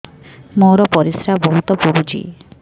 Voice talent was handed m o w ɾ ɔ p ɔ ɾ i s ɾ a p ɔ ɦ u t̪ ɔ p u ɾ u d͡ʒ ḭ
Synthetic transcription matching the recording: m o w ɾ ɔ p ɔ ɾ i s ɾ a b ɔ ɦ u t̪ ɔ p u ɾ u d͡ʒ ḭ

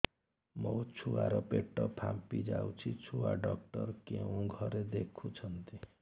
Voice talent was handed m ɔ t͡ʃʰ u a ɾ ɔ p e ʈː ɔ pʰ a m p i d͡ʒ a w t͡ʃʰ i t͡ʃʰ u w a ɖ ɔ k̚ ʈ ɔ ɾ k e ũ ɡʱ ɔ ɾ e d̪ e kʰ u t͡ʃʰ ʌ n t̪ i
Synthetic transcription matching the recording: m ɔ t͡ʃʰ u a ɾ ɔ p e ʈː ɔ pʰ a m p i d͡ʒ a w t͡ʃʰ i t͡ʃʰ u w a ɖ ɔ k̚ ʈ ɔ ɾ k e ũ ɡʱ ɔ ɾ e d̪ e kʰ u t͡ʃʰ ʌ n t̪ i

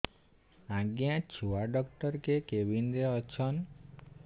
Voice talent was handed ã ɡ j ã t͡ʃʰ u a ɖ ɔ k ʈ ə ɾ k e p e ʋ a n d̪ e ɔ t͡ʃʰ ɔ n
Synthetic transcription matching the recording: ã ɡ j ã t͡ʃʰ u a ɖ ɔ k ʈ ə ɾ k e k e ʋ i n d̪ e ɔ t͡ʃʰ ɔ n

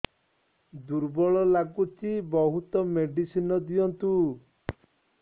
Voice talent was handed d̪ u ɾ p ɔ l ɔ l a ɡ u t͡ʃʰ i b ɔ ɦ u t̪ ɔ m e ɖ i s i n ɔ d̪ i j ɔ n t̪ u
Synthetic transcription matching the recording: d̪ u ɾ b ɔ ɭ ɔ l a ɡ u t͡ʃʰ i b ɔ ɦ u t̪ ɔ m e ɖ i s i n ɔ d̪ i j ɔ n t̪ u

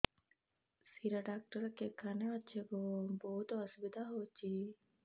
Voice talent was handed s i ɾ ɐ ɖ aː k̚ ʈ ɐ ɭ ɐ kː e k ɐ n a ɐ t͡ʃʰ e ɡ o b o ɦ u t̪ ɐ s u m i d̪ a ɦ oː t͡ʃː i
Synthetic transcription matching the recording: s i ɾ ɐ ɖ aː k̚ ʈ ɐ ɾ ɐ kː e k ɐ n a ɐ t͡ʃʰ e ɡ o b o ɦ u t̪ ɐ s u b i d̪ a ɦ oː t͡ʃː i

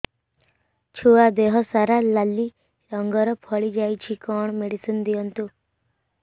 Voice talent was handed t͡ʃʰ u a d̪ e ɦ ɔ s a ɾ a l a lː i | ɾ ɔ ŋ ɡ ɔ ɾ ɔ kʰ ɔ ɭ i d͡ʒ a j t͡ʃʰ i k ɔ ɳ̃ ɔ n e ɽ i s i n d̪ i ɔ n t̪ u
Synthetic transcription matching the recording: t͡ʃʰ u a d̪ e ɦ ɔ s a ɾ a l a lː i | ɾ ɔ ŋ ɡ ɔ ɾ ɔ pʰ ɔ ɭ i d͡ʒ a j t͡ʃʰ i k ɔ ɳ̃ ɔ m e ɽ i s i n d̪ i ɔ n t̪ u

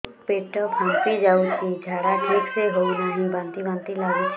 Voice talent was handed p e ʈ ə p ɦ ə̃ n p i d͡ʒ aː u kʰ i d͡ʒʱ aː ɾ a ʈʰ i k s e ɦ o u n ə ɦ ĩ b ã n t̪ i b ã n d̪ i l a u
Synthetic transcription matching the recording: p e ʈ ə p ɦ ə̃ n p i d͡ʒ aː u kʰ i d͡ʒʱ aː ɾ a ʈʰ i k s e ɦ o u n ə ɦ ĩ b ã n t̪ i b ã n t̪ i l a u

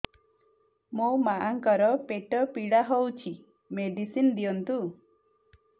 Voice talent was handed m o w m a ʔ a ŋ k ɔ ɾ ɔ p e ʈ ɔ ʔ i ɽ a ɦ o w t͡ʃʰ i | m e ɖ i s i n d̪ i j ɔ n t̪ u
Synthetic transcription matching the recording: m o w m a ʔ a ŋ k ɔ ɾ ɔ p e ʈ ɔ p i ɽ a ɦ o w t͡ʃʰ i | m e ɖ i s i n d̪ i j ɔ n t̪ u

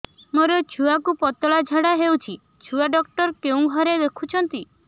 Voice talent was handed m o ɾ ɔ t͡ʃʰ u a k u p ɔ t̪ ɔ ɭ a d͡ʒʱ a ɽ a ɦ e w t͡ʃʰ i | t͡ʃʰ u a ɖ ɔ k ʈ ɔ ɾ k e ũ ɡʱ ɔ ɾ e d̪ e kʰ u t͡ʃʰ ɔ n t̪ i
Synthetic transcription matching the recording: m o ɾ ɔ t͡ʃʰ u a k u p ɔ t̪ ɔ ɭ a d͡ʒʱ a ɽ a ɦ e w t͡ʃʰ i | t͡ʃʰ u a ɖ ɔ k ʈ ɔ ɾ k e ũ ɡʱ ɔ ɾ e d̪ e kʰ u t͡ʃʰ ɔ n t̪ i

